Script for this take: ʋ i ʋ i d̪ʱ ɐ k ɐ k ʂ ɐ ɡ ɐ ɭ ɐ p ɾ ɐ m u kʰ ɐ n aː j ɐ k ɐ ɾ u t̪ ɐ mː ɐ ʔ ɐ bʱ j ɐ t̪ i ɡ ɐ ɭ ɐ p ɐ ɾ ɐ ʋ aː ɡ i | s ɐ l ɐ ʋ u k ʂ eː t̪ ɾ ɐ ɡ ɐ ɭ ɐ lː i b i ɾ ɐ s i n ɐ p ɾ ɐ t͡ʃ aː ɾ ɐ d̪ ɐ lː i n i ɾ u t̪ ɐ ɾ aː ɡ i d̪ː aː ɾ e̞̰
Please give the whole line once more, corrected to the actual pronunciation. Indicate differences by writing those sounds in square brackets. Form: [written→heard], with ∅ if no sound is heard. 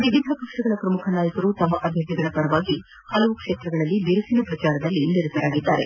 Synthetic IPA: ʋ i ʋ i d̪ʱ ɐ k ɐ k ʂ ɐ ɡ ɐ ɭ ɐ p ɾ ɐ m u kʰ ɐ n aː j ɐ k ɐ ɾ u t̪ ɐ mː ɐ ʔ ɐ bʱ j ɐ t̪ i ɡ ɐ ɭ ɐ p ɐ ɾ ɐ ʋ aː ɡ i | [s→h] ɐ l ɐ ʋ u k ʂ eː t̪ ɾ ɐ ɡ ɐ ɭ ɐ lː i b i ɾ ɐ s i n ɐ p ɾ ɐ t͡ʃ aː ɾ ɐ d̪ ɐ lː i n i ɾ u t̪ ɐ ɾ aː ɡ i d̪ː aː ɾ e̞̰